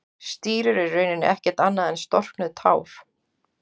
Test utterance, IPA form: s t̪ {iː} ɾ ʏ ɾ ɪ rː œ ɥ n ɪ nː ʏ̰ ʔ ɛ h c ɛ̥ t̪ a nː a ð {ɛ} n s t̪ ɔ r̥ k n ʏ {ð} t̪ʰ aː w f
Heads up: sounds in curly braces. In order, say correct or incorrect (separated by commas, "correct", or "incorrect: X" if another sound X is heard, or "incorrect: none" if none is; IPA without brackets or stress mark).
correct, correct, correct